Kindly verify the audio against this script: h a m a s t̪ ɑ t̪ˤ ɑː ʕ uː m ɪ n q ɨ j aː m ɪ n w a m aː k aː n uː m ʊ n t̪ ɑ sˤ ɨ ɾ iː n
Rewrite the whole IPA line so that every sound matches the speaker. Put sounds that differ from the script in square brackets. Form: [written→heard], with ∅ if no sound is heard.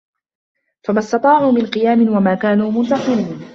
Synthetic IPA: [h→f] a m a s t̪ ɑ t̪ˤ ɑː ʕ uː m ɪ n q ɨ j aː m ɪ n w a m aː k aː n uː m ʊ n t̪ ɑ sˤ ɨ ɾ iː n